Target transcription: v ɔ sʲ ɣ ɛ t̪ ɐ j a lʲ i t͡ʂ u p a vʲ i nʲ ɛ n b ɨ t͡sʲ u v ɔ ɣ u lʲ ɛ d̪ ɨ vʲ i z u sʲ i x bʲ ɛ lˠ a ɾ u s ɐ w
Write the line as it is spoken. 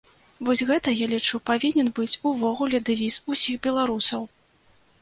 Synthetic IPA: v ɔ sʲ ɣ ɛ t̪ ɐ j a lʲ i t͡ʂ u p a vʲ i nʲ ɛ n b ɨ t͡sʲ u v ɔ ɣ u lʲ ɛ d̪ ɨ vʲ i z u sʲ i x bʲ ɛ lˠ a ɾ u s ɐ w

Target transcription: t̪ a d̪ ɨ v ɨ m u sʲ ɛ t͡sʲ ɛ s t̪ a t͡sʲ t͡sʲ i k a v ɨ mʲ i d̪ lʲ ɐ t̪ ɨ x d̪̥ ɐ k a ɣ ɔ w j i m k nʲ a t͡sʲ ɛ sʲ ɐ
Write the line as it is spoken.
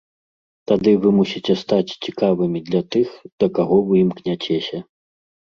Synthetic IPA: t̪ a d̪ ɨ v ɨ m u sʲ i t͡sʲ ɛ s t̪ a t͡sʲ t͡sʲ i k a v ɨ mʲ i d̪ lʲ ɐ t̪ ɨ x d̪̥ ɐ k a ɣ ɔ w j i m k nʲ a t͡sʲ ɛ sʲ ɐ

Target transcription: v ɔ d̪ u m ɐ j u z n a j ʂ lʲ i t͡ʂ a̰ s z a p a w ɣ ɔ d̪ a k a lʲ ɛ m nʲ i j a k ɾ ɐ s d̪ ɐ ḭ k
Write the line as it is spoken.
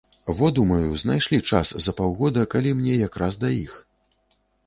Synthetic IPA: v ɔ d̪ u m ɐ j u z n a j ʂ lʲ i t͡ʂ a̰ s z ɐ p a w ɣ ɔ d̪ ɐ k a lʲ i m nʲ ɛ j a k ɾ a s d̪ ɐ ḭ x

